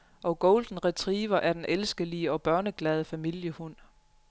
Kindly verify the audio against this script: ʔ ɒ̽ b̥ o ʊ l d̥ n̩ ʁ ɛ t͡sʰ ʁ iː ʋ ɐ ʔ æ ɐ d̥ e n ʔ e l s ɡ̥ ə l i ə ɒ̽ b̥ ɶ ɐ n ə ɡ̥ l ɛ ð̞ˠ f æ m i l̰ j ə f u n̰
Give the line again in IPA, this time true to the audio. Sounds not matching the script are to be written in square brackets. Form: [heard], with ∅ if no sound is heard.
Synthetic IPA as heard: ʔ ɒ̽ [ɡ̥] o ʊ l d̥ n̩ ʁ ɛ t͡sʰ ʁ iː ʋ ɐ ʔ æ ɐ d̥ e n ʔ e l s ɡ̥ ə l i ə ɒ̽ b̥ ɶ ɐ n ə ɡ̥ l ɛ ð̞ˠ f æ m i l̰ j ə [h] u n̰

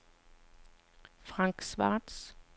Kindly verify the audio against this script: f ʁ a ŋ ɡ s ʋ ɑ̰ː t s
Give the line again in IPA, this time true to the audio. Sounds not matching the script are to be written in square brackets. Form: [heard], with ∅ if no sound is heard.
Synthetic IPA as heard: f ʁ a ŋ [k] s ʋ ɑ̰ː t s

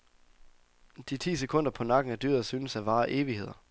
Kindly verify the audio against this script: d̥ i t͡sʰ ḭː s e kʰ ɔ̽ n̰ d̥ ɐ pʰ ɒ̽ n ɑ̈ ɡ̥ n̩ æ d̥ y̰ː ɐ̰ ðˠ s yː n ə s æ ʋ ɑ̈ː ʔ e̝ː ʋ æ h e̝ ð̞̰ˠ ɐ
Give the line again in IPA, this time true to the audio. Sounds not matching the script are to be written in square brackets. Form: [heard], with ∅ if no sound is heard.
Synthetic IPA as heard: d̥ i t͡sʰ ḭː s e kʰ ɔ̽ n̰ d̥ ɐ pʰ ɒ̽ n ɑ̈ ɡ̥ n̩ æ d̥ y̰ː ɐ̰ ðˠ s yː n ə s æ ʋ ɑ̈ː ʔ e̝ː ʋ [i] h e̝ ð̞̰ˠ ɐ

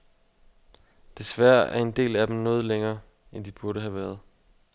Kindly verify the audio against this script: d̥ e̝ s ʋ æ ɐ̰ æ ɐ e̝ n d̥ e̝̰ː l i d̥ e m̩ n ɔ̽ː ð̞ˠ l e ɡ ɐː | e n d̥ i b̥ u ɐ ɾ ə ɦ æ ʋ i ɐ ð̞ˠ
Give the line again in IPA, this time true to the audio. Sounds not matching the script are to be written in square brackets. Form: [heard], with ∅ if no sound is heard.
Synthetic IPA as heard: d̥ e̝ s ʋ æ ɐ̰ æ ɐ e̝ n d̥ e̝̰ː l [æ] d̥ e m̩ n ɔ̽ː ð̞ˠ l e [ŋ] ɐː | e n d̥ i b̥ u ɐ ɾ ə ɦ æ ʋ [æ] ɐ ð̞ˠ

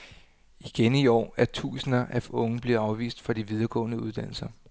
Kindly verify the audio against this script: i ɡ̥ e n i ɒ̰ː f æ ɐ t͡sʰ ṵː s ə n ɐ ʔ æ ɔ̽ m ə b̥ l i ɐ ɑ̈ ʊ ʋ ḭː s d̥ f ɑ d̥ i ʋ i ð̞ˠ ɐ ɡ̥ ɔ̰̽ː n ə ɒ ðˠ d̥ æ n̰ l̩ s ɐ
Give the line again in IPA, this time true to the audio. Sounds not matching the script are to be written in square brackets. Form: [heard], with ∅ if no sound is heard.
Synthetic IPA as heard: i ɡ̥ e n i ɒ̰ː [∅] æ ɐ t͡sʰ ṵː s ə n ɐ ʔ æ ɔ̽ [ŋ] ə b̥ l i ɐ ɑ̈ ʊ ʋ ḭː s d̥ f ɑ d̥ i ʋ i ð̞ˠ ɐ ɡ̥ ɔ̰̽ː n ə [u] ðˠ d̥ æ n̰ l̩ s ɐ

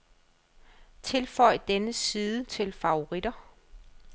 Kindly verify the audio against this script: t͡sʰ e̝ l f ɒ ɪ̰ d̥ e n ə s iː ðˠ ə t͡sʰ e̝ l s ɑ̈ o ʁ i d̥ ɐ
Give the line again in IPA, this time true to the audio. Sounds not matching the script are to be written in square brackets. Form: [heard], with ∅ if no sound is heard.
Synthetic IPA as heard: t͡sʰ e̝ l f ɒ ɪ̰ d̥ e n ə s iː ðˠ ə t͡sʰ e̝ l [f] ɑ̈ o ʁ i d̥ ɐ

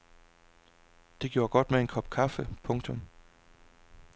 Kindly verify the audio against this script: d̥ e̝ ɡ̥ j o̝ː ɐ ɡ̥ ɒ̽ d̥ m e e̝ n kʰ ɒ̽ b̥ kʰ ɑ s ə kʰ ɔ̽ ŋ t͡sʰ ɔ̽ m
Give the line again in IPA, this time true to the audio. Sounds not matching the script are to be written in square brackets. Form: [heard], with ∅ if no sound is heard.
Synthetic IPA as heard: d̥ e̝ ɡ̥ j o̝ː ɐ ɡ̥ ɒ̽ d̥ m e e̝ n kʰ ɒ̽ b̥ kʰ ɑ [f] ə [pʰ] ɔ̽ ŋ t͡sʰ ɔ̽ m

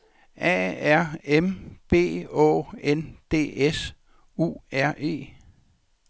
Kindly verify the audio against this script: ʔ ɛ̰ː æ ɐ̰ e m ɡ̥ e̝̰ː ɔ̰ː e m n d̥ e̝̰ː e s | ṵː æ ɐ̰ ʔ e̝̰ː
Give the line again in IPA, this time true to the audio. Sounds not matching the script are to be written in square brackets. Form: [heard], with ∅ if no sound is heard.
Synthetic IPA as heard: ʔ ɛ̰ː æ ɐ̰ e m [b̥] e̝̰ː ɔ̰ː e [∅] n d̥ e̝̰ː e s | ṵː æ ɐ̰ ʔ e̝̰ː

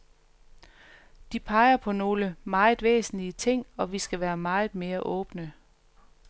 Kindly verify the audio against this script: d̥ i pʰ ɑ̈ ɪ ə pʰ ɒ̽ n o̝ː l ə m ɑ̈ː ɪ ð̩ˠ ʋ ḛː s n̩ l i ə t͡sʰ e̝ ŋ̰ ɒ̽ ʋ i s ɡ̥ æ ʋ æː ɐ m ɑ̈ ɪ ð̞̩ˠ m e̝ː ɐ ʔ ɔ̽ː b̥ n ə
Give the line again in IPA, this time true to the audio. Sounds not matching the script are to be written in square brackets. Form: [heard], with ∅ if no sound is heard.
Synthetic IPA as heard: d̥ i pʰ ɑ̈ ɪ [ɐ] pʰ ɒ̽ n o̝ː l ə m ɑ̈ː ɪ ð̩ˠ ʋ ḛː s n̩ l i ə t͡sʰ e̝ ŋ̰ ɒ̽ ʋ i s ɡ̥ æ ʋ æː ɐ m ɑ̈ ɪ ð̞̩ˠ m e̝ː ɐ ʔ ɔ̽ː b̥ n ə

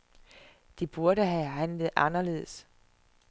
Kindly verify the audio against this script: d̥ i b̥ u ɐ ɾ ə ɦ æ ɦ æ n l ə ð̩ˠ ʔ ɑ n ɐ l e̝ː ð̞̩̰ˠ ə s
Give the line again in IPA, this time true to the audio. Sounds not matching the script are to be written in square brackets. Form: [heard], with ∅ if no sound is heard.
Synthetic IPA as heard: d̥ i b̥ u ɐ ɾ ə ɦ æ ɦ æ n l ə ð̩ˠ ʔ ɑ n ɐ l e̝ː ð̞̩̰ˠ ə s

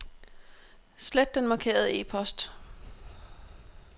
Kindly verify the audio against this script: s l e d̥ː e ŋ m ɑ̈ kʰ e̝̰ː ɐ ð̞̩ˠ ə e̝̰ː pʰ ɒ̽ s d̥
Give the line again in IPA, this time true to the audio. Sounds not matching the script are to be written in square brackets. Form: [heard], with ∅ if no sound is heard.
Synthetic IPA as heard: s l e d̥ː e [n] m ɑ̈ kʰ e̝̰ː ɐ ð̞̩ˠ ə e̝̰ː pʰ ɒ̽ s d̥

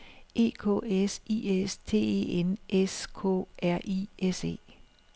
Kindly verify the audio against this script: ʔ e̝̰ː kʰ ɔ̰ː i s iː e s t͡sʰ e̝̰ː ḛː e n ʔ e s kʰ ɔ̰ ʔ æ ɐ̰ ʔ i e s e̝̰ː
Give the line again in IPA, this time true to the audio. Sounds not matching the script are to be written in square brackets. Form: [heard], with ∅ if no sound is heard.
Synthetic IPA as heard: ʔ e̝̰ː kʰ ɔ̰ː [e] s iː e s t͡sʰ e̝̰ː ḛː e n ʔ e s kʰ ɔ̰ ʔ æ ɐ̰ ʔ i e s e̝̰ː

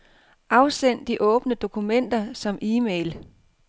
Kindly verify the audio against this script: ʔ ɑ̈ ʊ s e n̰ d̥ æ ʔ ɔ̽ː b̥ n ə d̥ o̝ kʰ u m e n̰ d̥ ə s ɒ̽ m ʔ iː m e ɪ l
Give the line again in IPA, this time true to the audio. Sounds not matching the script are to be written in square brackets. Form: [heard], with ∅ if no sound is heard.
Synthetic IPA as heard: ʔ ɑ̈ ʊ s e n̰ d̥ [i] ʔ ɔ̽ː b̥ n ə d̥ o̝ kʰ u m e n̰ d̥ [ɐ] s ɒ̽ m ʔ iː m e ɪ l

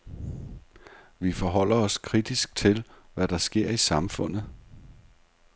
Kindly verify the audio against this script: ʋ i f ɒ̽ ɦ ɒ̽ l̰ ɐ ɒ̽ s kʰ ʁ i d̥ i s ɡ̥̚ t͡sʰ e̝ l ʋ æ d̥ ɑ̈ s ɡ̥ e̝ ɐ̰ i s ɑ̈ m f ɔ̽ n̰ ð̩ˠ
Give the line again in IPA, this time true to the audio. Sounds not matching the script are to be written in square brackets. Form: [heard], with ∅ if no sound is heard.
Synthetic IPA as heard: ʋ i f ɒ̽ ɦ ɒ̽ l̰ ɐ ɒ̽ s kʰ ʁ i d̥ i s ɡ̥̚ t͡sʰ e̝ l ʋ æ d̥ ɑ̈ s ɡ̥ e̝ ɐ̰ i s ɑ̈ m f ɔ̽ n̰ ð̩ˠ

